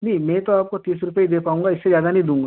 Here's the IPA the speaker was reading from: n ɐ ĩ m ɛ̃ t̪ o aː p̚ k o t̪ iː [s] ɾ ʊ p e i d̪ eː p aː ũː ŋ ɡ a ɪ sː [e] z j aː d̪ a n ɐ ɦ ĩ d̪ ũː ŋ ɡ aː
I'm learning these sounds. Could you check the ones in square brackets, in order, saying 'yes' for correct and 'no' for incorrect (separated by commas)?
yes, yes